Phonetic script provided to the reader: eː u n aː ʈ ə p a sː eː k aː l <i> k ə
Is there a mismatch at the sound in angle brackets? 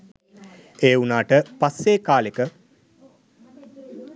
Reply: yes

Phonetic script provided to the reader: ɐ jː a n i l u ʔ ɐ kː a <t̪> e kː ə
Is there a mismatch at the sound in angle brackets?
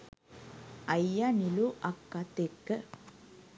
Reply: no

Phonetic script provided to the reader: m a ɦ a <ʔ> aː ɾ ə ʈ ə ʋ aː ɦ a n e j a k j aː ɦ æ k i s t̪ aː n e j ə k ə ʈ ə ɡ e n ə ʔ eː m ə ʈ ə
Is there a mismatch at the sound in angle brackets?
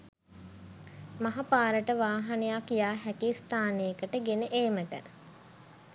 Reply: yes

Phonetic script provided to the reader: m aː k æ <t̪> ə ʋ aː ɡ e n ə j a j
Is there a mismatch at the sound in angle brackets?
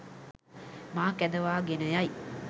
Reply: yes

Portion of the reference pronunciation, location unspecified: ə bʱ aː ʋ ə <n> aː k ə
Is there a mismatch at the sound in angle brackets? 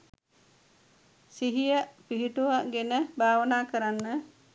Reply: no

